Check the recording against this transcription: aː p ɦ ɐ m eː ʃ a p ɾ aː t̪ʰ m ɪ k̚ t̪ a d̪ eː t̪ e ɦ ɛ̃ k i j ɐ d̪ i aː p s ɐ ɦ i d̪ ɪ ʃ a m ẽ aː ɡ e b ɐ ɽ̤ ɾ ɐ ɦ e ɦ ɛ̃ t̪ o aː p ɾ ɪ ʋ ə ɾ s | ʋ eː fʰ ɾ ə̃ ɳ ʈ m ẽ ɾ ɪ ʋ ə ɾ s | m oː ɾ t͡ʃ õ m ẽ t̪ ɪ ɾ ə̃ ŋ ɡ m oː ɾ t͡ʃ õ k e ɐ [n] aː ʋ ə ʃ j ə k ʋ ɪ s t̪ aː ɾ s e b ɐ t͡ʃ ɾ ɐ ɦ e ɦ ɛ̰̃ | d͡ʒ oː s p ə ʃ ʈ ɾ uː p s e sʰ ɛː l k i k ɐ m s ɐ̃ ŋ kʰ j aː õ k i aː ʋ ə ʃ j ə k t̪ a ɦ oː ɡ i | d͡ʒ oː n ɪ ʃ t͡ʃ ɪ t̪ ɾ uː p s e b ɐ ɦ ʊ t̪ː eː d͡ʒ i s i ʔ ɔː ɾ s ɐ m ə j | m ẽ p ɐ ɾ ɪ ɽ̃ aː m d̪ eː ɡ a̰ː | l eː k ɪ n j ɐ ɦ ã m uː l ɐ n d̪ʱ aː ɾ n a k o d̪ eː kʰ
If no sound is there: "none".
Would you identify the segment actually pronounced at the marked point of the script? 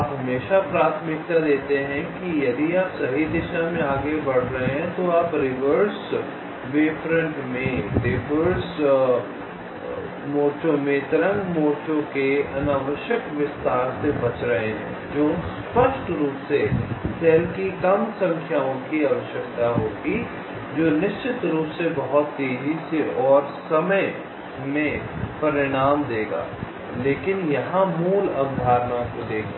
n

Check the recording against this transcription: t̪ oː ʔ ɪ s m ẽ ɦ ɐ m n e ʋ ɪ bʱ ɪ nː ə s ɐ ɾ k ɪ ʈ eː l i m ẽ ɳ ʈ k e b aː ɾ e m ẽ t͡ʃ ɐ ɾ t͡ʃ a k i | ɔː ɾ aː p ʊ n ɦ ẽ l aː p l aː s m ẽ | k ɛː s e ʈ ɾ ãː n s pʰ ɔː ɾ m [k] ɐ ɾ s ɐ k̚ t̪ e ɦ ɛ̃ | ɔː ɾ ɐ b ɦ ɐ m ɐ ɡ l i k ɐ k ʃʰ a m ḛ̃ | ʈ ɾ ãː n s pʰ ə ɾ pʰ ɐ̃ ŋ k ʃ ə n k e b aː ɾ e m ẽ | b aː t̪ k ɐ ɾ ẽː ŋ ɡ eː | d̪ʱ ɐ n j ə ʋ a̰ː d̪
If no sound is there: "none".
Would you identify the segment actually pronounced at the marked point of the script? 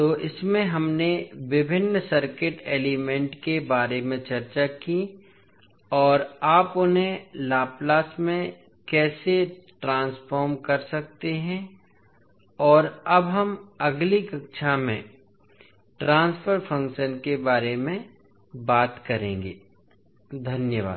k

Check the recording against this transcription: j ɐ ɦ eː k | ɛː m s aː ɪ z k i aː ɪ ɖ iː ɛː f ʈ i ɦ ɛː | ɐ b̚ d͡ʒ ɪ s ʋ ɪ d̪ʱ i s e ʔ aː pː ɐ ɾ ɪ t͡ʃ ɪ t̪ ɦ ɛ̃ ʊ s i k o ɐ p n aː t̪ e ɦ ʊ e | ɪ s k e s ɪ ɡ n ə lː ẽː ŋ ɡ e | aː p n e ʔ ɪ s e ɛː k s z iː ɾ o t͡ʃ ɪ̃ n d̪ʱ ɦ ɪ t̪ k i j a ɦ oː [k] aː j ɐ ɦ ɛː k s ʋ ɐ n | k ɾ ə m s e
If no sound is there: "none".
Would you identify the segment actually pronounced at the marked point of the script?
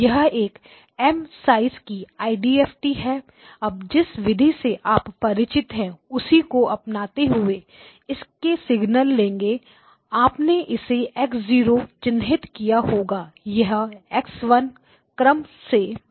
ɡ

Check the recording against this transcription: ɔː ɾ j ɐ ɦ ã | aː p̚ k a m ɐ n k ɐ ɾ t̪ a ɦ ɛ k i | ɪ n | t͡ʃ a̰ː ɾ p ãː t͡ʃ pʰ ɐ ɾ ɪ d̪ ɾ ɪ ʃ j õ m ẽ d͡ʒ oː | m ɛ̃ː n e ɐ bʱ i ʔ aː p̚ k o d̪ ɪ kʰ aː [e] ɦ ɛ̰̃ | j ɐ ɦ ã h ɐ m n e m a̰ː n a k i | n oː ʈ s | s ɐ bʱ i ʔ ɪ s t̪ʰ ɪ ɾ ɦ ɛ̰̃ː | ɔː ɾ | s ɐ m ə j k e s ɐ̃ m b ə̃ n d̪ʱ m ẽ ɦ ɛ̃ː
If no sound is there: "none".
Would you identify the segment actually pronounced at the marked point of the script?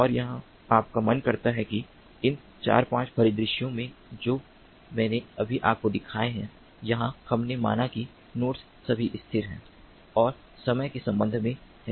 e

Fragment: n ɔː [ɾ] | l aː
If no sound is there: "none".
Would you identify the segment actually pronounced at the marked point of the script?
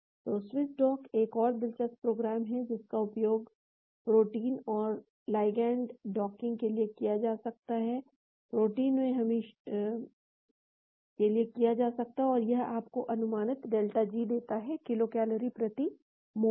ɾ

